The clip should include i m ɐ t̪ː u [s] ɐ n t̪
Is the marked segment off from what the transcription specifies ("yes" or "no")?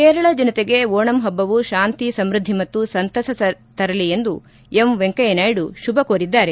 no